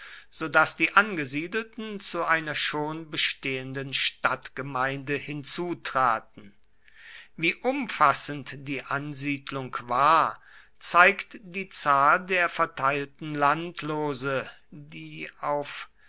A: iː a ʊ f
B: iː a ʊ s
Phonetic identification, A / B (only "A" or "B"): A